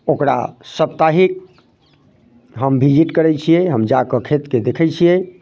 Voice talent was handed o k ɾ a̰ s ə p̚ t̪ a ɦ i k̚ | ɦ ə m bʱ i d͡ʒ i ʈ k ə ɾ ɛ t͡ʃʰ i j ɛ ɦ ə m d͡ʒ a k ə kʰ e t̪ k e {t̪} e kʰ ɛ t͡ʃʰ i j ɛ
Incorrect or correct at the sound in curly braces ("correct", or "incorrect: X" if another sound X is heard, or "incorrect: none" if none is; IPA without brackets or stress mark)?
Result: incorrect: d̪